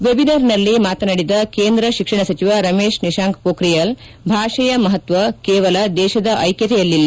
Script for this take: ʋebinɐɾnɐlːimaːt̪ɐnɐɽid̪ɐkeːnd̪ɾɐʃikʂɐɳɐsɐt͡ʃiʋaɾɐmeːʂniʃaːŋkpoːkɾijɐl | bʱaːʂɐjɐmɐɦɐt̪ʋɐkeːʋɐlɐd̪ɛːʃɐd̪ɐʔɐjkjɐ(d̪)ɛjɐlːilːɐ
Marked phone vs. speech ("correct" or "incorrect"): incorrect